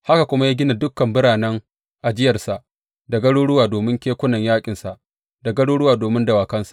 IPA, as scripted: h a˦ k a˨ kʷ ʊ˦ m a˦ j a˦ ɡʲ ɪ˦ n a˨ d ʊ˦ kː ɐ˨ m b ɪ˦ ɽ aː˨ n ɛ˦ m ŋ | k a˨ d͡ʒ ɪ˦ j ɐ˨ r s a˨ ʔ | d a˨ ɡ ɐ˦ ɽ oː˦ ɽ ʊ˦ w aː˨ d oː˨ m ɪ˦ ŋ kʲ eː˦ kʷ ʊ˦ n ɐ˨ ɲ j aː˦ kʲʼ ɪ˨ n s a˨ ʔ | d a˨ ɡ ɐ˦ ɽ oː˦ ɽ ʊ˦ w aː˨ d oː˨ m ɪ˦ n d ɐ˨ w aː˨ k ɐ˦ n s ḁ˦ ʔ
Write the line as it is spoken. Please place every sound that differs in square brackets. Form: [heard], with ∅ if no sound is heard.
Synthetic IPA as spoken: h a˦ k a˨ kʷ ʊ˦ m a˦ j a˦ ɡʲ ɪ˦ n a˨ d ʊ˦ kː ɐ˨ m b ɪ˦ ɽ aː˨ n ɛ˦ [∅] ŋ | [ʔ] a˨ d͡ʒ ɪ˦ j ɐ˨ r s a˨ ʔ | d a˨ ɡ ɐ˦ ɽ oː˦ ɽ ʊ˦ w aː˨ d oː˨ m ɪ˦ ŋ kʲ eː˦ kʷ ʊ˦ n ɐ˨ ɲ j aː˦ kʲʼ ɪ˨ n s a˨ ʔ | d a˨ ɡ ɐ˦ ɽ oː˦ ɽ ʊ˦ w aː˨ d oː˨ m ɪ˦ n d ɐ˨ w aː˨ k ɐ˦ n s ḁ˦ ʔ

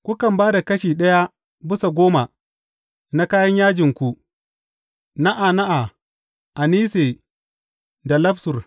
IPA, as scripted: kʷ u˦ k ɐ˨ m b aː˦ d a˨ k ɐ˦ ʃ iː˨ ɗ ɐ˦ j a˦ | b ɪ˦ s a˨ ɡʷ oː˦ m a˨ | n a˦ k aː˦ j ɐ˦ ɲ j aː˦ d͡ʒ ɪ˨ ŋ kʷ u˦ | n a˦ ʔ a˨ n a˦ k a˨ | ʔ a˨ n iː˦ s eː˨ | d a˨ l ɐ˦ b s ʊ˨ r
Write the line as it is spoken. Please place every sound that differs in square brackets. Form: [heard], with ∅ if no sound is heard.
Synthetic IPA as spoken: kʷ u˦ k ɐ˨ m b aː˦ d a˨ k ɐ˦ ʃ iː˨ ɗ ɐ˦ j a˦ | b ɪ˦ s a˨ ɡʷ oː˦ m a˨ | n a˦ k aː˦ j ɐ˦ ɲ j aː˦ d͡ʒ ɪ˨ ŋ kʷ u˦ | n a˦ ʔ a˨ n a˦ [ʔ] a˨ | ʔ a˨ n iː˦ s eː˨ | d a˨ l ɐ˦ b s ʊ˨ r

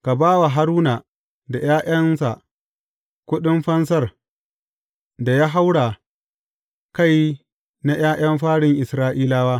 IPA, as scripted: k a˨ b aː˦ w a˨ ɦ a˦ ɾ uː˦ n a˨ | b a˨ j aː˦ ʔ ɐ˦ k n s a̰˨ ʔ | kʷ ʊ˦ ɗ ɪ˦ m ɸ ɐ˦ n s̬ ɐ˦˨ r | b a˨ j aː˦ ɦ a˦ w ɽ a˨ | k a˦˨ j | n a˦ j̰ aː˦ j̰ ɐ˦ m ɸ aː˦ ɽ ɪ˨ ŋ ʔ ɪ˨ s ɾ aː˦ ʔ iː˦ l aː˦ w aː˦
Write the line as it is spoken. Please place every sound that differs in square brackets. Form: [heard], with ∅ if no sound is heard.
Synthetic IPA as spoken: k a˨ b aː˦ w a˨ ɦ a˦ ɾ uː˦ n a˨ | [d] a˨ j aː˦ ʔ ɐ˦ [∅] n s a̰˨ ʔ | kʷ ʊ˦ ɗ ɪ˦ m ɸ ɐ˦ n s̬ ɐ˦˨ r | [d] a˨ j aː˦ ɦ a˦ w ɽ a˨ | k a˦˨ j | n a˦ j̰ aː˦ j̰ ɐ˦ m ɸ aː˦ ɽ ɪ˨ ŋ ʔ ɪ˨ s ɾ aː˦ ʔ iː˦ l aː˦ w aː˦

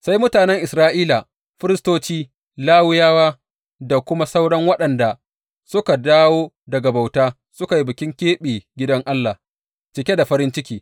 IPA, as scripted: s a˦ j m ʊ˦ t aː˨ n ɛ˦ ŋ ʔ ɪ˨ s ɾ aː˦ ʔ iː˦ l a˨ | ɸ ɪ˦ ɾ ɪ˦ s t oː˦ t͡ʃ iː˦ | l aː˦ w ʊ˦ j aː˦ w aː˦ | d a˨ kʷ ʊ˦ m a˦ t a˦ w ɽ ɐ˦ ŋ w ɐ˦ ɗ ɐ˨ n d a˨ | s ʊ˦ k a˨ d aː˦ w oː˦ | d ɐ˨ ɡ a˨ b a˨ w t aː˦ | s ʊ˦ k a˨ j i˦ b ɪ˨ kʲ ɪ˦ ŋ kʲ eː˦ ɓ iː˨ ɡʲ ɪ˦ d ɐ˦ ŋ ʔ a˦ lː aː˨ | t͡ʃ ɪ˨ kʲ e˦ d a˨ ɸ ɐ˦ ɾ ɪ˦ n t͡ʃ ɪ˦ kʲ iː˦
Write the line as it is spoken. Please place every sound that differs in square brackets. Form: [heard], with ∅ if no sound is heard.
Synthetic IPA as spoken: s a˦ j m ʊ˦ t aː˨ n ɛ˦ ŋ ʔ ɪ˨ s ɾ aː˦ ʔ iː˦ l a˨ | ɸ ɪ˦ ɾ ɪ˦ s t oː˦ t͡ʃ iː˦ | l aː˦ w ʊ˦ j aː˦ w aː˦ | d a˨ kʷ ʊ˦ m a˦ [s] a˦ w ɽ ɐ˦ ŋ w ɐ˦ ɗ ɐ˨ n d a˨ | s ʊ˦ k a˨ d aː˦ w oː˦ | d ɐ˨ ɡ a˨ b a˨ w t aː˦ | s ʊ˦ k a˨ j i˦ b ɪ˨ kʲ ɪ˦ ŋ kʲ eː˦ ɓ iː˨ ɡʲ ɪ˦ d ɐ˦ ŋ ʔ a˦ lː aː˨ | t͡ʃ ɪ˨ kʲ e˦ d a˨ ɸ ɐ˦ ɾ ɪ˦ n t͡ʃ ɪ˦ kʲ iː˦

